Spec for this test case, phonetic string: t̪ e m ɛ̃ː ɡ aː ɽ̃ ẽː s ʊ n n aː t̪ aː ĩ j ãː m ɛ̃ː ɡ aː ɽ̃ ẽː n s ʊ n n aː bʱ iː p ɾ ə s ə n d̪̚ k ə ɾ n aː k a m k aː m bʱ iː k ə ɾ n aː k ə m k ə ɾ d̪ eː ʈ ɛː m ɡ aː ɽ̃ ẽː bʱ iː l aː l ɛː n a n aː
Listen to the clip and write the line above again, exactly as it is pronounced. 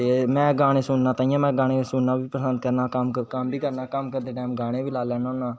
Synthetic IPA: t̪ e m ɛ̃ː ɡ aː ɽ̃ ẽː s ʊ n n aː t̪ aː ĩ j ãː m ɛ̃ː ɡ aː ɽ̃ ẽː s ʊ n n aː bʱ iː p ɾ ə s ə n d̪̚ k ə ɾ n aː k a m k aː m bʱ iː k ə ɾ n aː k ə m k ə ɾ d̪ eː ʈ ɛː m ɡ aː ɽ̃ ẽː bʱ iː l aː l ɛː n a n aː